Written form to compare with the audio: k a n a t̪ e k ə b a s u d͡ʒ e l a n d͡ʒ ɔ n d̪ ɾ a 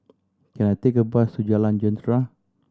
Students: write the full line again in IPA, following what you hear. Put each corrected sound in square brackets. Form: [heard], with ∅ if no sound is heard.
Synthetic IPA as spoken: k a n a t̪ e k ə b a s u d͡ʒ [a] l a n d͡ʒ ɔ n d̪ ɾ a